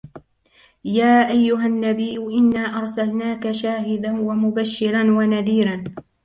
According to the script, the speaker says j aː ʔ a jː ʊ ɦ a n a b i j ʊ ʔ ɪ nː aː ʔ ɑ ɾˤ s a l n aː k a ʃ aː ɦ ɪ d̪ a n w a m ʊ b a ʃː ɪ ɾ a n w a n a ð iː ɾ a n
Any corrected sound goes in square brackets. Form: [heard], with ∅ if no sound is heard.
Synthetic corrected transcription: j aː ʔ a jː ʊ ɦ a [nː] a b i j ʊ ʔ ɪ nː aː ʔ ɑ ɾˤ s a l n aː k a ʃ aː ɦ ɪ d̪ a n w a m ʊ b a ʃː ɪ ɾ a n w a n a ð iː ɾ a n